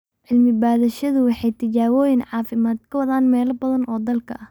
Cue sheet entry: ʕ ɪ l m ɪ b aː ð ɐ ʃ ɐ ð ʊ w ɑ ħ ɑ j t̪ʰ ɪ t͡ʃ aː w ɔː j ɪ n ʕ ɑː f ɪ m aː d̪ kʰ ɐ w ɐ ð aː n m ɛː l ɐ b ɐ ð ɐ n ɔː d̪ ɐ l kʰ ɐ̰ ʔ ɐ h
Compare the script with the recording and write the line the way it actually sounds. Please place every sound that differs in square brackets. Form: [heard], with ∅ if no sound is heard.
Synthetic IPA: ʕ ɪ l m ɪ b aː ð ɐ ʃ ɐ ð ʊ w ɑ ħ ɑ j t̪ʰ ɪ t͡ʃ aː w ɔː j ɪ n ʕ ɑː f ɪ m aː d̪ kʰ ɐ w ɐ ð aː n m ɛː l ɐ b ɐ ð ɐ n ɔː d̪ ɐ l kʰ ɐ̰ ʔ ɐ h